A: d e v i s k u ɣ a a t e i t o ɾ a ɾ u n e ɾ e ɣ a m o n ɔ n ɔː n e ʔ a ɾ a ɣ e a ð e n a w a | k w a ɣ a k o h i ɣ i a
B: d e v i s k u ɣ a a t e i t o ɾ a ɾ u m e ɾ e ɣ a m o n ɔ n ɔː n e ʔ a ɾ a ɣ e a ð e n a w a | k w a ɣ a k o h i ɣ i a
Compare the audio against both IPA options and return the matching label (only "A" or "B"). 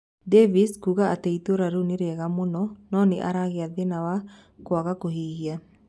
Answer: A